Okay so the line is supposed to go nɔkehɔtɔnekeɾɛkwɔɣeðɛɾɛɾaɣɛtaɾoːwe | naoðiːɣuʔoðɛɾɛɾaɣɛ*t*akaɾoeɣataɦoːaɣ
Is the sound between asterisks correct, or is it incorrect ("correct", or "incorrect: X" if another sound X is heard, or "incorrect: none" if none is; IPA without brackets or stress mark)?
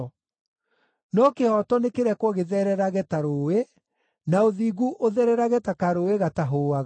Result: correct